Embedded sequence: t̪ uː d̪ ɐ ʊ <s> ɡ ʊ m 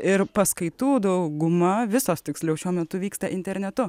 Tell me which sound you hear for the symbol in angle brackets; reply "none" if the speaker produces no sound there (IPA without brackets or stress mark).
none